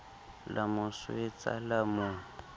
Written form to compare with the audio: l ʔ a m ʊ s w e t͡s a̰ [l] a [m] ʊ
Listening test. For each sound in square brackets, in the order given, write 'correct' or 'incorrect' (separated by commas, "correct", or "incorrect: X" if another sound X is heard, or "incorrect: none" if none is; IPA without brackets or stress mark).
correct, correct